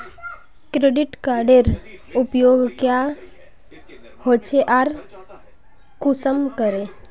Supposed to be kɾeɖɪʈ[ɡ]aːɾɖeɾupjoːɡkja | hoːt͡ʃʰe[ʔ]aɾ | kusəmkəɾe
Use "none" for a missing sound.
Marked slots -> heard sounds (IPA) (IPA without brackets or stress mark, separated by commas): k, ʔ